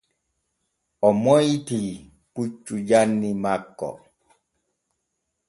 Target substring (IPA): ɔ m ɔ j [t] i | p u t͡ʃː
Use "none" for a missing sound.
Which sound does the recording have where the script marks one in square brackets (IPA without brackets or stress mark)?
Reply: t